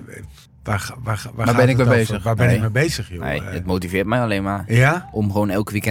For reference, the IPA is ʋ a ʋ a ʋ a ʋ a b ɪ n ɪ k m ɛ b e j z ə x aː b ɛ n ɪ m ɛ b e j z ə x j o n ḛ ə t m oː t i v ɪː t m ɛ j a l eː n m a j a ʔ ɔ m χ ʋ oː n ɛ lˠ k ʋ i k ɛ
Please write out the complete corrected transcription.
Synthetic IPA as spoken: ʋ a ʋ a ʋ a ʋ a b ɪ n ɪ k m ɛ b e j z ə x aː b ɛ n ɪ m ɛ b e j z ə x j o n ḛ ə t m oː t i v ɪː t m ɛ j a l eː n m a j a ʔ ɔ m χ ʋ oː n ɛ lˠ k ʋ i k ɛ